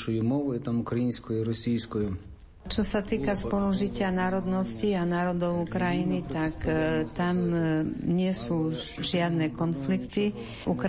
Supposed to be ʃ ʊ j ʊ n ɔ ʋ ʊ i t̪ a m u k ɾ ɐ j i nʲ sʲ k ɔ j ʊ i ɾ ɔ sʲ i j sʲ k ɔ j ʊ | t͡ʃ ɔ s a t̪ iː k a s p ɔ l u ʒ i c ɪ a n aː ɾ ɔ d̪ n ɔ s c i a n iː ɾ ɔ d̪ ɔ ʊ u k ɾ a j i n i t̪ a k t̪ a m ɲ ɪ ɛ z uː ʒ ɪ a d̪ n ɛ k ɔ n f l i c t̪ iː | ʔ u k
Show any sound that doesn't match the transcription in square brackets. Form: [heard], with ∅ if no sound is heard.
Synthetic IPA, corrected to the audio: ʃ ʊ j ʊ [m] ɔ ʋ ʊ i t̪ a m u k ɾ ɐ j i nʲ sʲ k ɔ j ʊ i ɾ ɔ sʲ i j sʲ k ɔ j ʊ | t͡ʃ ɔ s a t̪ iː k a s p ɔ l u ʒ i c ɪ a n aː ɾ ɔ d̪ n ɔ s c i a n [aː] ɾ ɔ d̪ ɔ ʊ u k ɾ a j i n i t̪ a k t̪ a m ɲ ɪ ɛ [s] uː ʒ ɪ a d̪ n ɛ k ɔ n f l i [k] t̪ [i] | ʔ u k